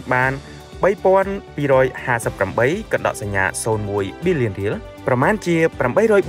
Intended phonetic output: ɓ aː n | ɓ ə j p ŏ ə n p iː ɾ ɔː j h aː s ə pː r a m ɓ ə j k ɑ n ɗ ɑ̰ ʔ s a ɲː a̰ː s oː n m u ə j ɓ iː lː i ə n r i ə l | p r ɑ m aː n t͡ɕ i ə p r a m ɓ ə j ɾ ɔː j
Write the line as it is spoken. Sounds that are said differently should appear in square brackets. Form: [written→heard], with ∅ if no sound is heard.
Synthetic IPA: ɓ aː n | ɓ ə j p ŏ ə n p iː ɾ ɔː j h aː s ə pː r a m ɓ ə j k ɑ n ɗ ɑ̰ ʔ s a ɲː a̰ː s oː n m u ə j ɓ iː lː i ə n r i ə l | p r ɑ m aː n t͡ɕ i ə p r a m ɓ ə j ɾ ɔː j